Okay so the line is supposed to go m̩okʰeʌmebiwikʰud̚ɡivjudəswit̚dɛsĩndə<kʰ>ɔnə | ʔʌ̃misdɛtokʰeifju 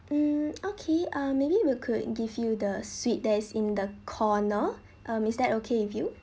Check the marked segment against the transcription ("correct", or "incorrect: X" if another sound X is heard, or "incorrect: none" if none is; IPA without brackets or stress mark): correct